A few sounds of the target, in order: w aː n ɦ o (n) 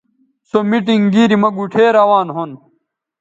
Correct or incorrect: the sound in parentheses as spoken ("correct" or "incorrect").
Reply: correct